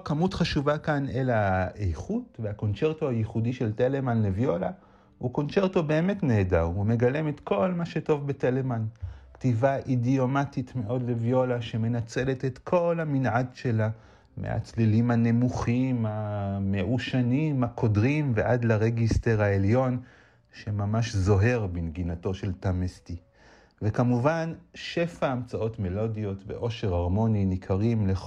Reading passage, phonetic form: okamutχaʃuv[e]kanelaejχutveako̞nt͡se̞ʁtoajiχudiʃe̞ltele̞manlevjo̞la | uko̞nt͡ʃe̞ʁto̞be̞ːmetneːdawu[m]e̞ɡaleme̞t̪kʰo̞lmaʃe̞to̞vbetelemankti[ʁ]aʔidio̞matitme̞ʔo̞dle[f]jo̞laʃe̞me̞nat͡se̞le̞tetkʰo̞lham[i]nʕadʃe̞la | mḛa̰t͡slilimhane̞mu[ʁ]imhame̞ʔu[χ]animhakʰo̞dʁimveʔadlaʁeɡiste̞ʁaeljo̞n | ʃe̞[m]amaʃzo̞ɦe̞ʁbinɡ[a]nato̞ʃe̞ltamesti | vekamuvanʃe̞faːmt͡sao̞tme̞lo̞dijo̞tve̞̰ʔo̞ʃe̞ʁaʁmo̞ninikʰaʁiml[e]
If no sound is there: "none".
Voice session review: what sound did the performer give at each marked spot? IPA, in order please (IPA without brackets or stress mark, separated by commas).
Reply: a, m, v, v, i, χ, ʃ, m, i, e